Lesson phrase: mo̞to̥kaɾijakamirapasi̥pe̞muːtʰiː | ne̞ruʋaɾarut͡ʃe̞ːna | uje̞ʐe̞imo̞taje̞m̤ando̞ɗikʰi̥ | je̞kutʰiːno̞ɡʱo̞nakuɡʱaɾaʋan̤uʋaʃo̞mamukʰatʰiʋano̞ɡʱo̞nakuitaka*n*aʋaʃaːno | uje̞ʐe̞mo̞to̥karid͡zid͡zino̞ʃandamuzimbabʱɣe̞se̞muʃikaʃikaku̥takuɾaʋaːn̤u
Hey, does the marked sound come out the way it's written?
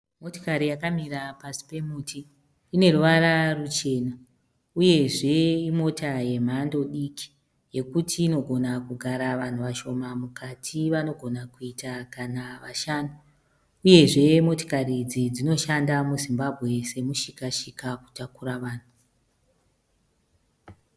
yes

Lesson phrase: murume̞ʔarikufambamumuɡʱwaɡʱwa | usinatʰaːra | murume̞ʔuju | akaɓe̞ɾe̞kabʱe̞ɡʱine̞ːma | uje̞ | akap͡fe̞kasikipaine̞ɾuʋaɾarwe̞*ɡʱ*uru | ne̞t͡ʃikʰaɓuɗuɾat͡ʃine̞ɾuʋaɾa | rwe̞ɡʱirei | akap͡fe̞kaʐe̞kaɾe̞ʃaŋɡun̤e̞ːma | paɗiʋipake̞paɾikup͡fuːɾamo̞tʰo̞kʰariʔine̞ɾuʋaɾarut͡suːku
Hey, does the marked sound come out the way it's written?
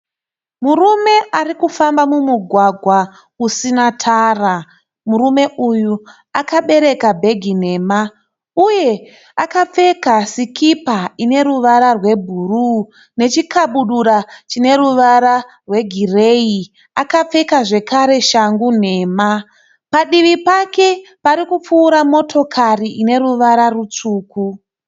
no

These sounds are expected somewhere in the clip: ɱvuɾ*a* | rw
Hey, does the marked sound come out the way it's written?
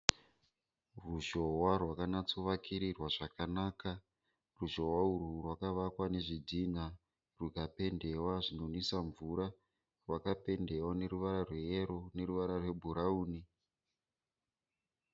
yes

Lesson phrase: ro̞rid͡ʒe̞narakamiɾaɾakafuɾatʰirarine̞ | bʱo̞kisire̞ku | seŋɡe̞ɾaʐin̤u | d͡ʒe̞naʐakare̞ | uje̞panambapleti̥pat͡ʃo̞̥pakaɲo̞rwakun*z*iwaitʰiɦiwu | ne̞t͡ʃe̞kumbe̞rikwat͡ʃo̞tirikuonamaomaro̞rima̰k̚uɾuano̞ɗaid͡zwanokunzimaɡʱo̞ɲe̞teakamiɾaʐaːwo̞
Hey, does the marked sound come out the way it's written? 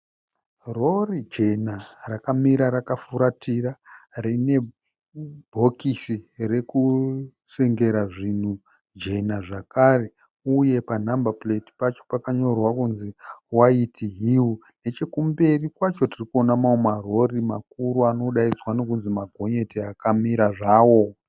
yes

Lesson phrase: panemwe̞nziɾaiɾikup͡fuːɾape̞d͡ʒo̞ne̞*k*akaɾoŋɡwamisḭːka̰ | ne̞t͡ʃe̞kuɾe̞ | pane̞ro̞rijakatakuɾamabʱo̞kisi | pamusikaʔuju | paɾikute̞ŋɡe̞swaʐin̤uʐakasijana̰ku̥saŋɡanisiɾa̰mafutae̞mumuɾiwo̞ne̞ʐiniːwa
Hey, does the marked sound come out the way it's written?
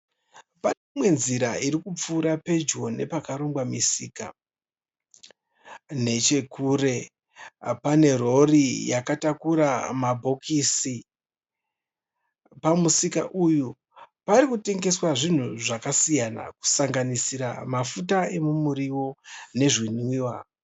no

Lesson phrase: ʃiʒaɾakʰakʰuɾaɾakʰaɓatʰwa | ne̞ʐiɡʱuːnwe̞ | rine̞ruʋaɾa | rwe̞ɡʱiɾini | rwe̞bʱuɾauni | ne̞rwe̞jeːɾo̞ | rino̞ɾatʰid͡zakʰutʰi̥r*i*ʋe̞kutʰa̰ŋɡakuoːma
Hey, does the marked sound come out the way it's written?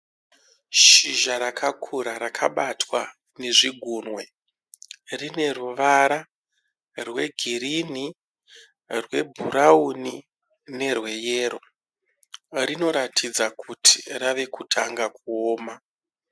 no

